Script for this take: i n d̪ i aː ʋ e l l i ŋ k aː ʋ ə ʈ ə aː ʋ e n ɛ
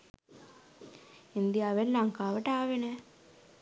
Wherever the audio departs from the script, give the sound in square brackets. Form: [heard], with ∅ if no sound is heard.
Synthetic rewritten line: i n d̪ i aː ʋ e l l [a] ŋ k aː ʋ ə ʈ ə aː ʋ e n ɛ